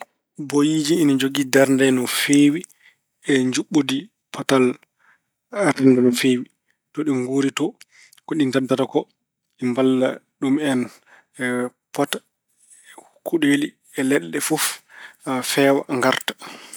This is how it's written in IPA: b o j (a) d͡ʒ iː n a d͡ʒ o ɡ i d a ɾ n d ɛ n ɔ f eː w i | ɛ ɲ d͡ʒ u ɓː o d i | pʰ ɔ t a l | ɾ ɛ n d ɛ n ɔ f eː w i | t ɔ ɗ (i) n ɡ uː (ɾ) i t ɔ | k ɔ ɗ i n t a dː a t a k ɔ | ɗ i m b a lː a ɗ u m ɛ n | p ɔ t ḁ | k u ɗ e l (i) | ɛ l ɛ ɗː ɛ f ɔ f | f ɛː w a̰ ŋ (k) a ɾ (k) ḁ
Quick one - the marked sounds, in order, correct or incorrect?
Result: incorrect, correct, correct, correct, incorrect, incorrect

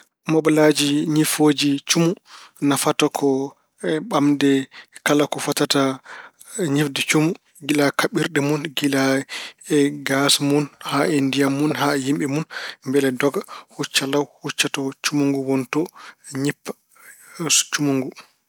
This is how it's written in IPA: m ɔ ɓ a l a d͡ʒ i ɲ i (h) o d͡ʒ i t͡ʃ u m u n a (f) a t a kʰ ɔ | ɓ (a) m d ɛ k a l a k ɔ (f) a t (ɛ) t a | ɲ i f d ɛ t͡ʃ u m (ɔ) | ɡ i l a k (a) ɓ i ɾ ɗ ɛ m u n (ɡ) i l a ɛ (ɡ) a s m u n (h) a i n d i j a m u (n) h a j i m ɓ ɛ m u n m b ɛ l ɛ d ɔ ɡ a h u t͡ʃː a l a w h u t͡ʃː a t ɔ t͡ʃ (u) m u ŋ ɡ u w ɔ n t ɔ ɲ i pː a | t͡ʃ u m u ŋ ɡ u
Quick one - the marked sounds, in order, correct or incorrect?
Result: incorrect, correct, correct, correct, incorrect, incorrect, correct, correct, correct, correct, correct, correct

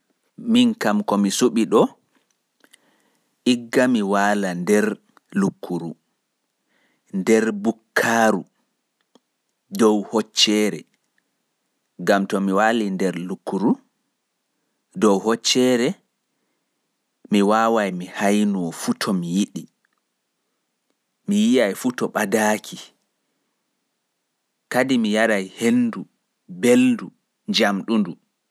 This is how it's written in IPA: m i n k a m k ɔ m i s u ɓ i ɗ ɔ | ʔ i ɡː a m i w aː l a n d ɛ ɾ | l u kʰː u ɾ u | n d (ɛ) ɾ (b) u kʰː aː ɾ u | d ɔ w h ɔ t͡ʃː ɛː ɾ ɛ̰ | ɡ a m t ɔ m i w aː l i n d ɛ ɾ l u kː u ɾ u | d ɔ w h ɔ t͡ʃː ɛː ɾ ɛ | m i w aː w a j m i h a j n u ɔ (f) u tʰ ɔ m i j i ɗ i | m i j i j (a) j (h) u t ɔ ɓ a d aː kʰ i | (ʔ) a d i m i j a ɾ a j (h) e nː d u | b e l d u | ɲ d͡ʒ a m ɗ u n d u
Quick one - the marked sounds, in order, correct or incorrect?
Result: correct, correct, correct, correct, incorrect, incorrect, correct

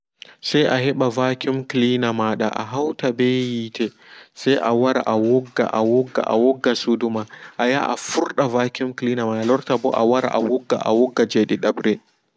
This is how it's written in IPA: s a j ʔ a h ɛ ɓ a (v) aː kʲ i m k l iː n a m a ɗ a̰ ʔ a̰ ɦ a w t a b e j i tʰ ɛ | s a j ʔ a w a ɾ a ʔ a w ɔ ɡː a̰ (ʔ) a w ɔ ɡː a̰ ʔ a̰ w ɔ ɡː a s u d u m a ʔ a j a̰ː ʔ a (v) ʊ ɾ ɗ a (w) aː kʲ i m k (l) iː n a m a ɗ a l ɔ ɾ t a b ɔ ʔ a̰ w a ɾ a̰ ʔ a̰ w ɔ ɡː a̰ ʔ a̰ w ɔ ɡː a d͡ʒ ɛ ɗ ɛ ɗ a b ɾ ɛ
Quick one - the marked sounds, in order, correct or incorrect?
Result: correct, correct, incorrect, incorrect, correct

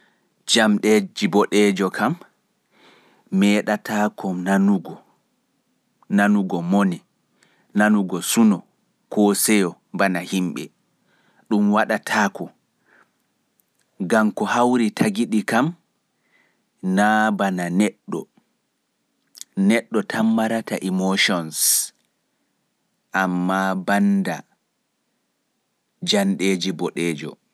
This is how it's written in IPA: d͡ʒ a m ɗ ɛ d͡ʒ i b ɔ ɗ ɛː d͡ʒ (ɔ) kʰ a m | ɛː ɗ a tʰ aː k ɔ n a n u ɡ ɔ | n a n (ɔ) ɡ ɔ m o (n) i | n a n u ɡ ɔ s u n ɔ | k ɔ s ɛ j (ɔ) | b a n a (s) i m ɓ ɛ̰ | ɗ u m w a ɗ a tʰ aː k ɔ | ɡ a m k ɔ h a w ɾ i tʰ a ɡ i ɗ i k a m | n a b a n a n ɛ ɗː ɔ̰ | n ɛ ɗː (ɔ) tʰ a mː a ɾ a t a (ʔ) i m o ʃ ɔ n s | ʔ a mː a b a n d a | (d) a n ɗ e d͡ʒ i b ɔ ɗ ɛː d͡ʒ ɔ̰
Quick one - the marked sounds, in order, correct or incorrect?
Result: correct, incorrect, correct, correct, incorrect, correct, correct, incorrect

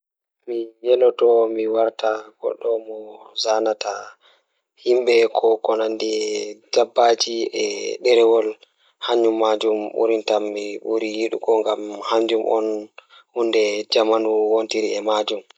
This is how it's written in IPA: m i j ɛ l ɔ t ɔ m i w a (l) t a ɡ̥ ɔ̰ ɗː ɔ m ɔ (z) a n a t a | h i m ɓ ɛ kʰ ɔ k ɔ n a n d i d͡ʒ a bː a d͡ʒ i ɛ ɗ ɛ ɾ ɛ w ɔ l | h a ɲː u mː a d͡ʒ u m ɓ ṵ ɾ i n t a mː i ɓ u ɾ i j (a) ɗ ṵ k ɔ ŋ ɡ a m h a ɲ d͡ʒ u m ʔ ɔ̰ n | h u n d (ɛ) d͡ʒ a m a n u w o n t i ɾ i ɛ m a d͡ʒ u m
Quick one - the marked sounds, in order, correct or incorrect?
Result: incorrect, correct, incorrect, correct

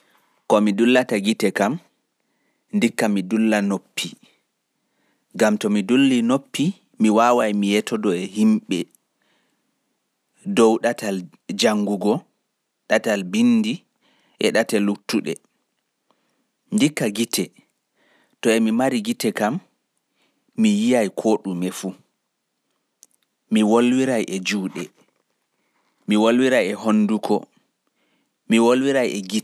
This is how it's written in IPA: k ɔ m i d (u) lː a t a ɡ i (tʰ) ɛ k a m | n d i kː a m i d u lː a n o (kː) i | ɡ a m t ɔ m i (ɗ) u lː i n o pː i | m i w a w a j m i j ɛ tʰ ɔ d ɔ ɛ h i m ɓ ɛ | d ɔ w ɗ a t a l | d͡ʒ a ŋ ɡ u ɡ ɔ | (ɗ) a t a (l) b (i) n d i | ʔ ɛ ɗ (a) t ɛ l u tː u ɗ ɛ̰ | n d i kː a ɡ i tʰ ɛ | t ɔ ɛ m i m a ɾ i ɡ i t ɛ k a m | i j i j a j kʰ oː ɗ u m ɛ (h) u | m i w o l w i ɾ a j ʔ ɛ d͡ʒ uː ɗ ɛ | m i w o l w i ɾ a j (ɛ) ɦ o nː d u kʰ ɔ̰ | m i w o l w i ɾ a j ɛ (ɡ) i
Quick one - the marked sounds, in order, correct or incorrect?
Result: correct, incorrect, incorrect, incorrect, correct, correct, correct, correct, incorrect, correct, correct

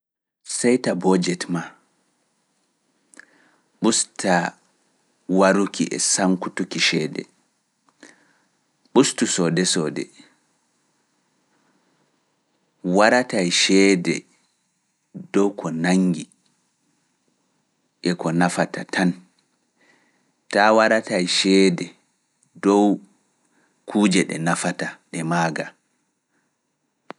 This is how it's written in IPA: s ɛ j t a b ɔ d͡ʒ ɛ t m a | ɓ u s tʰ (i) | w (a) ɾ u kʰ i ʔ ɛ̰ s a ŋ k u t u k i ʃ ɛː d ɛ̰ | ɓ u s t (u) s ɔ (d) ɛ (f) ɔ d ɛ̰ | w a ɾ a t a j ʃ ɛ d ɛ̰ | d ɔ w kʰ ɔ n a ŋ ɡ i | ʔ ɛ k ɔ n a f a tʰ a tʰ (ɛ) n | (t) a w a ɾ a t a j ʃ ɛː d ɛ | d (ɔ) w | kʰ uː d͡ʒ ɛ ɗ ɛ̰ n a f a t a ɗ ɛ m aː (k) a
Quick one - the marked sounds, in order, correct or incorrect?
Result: incorrect, correct, correct, correct, incorrect, incorrect, correct, correct, incorrect

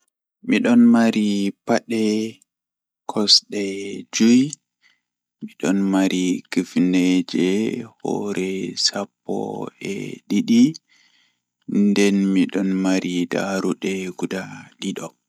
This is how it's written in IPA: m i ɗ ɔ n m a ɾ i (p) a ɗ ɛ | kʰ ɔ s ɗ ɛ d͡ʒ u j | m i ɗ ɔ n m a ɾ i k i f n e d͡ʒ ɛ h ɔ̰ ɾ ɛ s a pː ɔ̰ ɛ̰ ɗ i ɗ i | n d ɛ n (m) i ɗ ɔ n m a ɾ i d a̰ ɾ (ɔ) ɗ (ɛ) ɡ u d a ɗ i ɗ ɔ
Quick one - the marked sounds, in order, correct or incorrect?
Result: correct, correct, incorrect, correct

